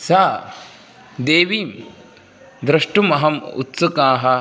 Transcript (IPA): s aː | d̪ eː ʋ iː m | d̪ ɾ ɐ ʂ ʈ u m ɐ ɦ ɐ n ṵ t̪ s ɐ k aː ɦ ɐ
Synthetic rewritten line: s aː | d̪ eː ʋ iː m | d̪ ɾ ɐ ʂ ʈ u m ɐ ɦ ɐ m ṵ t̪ s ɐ k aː ɦ ɐ